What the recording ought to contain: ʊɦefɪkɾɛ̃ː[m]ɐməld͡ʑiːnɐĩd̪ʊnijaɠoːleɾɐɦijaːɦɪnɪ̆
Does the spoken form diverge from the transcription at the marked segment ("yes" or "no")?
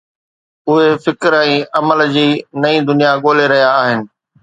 yes